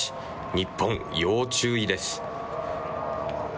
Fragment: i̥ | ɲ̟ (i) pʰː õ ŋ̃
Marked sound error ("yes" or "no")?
no